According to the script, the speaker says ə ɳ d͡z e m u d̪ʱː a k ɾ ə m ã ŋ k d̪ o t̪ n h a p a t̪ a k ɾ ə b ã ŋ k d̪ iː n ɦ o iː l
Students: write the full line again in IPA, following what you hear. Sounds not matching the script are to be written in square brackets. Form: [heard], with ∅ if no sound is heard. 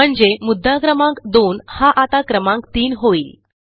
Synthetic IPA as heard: ə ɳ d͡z e m u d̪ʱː a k ɾ ə m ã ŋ k d̪ o [∅] n h a [ʔ] a t̪ a k ɾ ə [m] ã ŋ k [t̪] iː n ɦ o iː l

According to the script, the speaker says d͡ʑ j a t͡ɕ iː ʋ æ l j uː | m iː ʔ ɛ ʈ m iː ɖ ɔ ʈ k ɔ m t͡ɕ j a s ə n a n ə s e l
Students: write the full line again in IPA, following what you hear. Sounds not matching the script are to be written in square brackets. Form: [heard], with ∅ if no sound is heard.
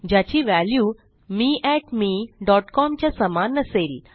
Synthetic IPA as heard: d͡ʑ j a t͡ɕ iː ʋ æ l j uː | m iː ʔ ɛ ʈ m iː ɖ ɔ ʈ k ɔ m t͡ɕ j a s ə [m] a n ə s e l

